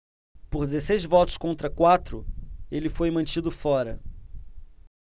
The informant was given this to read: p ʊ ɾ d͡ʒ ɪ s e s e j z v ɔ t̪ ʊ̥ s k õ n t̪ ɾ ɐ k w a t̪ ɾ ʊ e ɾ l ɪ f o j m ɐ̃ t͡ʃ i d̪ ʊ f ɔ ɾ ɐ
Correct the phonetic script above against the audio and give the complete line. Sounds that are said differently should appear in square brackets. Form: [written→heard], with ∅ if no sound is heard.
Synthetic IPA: p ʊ ɾ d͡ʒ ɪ [s→z] e s e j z v ɔ t̪ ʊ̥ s k õ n t̪ ɾ ɐ k w a t̪ ɾ ʊ e [ɾ→∅] l ɪ f o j m ɐ̃ t͡ʃ i d̪ ʊ f ɔ ɾ ɐ